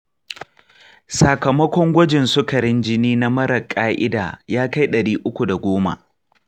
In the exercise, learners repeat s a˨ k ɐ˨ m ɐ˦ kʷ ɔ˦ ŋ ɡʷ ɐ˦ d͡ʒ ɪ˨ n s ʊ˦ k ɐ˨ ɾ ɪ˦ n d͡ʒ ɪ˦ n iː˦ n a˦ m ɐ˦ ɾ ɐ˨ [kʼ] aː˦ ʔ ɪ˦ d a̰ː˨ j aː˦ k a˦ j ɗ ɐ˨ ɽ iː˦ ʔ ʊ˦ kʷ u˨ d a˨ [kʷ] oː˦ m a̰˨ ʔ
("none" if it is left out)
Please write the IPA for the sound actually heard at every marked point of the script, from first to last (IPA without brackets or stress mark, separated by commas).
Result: kʼ, ɡʷ